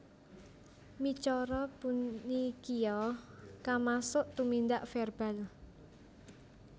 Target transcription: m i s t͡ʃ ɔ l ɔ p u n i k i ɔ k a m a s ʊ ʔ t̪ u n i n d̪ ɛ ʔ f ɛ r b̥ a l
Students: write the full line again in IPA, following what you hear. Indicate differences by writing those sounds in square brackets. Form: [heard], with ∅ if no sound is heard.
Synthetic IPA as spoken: m i [∅] t͡ʃ ɔ [ɾ] ɔ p u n i k i ɔ k a m a s ʊ ʔ t̪ u [m] i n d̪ [a] ʔ f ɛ r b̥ a l